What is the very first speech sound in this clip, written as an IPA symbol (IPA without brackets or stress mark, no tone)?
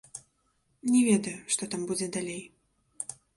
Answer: nʲ